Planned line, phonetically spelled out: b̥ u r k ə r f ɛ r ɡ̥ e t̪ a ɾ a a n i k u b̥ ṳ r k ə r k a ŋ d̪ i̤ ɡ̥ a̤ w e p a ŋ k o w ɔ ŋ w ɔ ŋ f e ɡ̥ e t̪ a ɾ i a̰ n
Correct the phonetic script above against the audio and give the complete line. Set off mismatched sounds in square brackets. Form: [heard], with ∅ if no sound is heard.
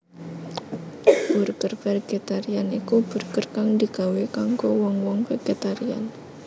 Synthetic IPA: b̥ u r k ə r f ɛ r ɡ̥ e t̪ a ɾ [i] a n i k u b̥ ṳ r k ə r k a ŋ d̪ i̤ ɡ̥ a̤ w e [k] a ŋ k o w ɔ ŋ w ɔ ŋ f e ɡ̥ e t̪ a ɾ i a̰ n